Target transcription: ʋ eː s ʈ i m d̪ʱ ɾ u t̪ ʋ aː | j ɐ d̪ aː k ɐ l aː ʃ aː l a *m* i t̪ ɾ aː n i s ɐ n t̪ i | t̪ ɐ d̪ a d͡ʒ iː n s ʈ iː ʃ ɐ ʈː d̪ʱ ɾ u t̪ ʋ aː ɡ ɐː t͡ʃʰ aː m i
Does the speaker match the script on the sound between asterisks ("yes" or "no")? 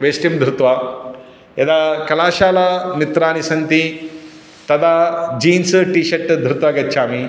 yes